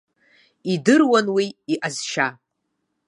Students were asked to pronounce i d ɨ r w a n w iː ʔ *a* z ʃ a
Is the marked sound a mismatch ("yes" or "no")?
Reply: no